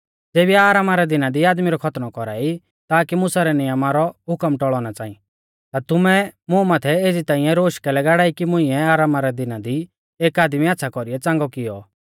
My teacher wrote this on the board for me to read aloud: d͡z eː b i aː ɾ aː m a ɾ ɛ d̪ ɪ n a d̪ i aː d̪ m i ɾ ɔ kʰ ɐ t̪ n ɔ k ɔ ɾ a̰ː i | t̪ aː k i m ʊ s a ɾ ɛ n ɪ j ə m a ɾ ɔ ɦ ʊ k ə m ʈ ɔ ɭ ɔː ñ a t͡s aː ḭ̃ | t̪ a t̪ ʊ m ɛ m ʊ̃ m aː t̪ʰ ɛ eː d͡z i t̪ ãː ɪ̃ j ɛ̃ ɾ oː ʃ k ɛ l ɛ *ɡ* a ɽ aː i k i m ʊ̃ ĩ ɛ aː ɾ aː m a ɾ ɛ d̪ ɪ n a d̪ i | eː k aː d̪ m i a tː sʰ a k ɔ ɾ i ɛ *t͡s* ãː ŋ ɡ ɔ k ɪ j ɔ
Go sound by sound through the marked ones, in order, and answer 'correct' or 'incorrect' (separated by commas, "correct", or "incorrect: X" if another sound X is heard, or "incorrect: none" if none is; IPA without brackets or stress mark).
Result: correct, correct